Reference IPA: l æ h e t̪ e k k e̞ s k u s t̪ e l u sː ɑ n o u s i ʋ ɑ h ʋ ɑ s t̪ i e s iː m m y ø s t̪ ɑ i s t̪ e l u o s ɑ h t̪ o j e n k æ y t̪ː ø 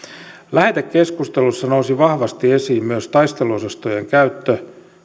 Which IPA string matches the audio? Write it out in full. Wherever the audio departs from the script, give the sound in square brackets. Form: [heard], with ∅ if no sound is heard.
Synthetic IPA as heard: l æ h e t̪ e k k e̞ s k u s t̪ e l u sː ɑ n o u s i ʋ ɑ h ʋ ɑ s t̪ i e s iː m m y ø s t̪ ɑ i s t̪ e l u o s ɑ [s] t̪ o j e [ŋ] k æ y t̪ː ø